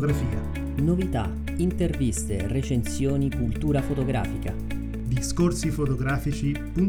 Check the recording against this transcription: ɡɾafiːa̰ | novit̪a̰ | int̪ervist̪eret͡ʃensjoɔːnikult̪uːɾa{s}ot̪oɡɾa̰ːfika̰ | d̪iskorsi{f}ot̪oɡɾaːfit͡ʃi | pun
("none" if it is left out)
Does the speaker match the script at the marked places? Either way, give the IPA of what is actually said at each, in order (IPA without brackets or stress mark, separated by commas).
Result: f, f